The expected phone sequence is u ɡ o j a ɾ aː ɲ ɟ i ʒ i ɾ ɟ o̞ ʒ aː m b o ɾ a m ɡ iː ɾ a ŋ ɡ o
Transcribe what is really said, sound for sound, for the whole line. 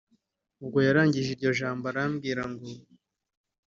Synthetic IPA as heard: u ɡ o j a ɾ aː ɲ ɟ i ʒ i ɾ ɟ o̞ ʒ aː m b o ɾ a m ɡ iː ɾ a ŋ ɡ o